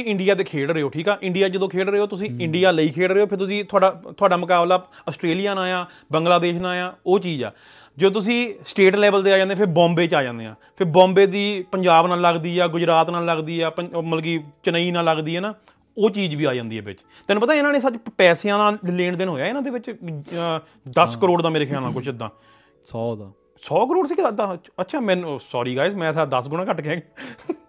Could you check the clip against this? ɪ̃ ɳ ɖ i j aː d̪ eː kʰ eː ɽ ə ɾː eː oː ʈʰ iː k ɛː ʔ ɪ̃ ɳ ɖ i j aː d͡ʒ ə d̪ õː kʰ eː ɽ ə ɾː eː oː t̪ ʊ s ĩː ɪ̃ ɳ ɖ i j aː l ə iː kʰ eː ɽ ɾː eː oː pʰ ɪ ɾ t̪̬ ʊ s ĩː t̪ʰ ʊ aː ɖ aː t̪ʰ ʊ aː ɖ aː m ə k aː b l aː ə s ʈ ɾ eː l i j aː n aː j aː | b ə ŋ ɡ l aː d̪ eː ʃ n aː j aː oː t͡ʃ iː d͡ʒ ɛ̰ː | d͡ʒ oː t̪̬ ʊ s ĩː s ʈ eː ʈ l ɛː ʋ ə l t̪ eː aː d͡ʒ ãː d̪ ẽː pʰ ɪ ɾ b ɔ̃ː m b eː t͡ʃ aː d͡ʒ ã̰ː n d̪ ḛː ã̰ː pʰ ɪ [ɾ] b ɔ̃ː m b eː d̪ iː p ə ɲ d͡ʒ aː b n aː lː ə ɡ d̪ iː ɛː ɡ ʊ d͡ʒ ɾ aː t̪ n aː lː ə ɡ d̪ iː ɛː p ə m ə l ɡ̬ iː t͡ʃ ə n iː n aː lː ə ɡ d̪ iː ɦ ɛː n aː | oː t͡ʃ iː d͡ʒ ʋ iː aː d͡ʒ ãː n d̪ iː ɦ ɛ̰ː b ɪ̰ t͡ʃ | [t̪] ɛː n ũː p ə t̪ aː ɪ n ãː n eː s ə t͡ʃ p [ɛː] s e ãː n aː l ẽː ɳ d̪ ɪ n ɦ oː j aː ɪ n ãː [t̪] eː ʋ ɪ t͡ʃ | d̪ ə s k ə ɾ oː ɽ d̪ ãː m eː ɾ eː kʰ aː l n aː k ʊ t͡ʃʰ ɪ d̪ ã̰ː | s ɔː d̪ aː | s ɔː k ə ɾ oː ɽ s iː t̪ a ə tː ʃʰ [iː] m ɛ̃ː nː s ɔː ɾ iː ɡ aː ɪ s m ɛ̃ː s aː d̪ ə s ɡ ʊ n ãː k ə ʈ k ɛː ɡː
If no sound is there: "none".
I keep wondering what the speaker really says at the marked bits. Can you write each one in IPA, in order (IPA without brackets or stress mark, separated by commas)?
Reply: ɾ, t̪, ɛː, d̪, aː